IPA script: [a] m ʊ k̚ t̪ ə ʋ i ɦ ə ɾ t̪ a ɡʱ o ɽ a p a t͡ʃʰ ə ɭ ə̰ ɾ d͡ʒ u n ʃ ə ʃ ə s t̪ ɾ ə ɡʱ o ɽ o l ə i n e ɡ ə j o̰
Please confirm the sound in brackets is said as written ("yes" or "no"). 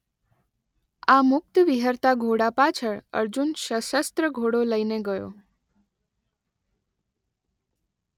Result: yes